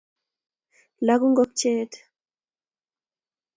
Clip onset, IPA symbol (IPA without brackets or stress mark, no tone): l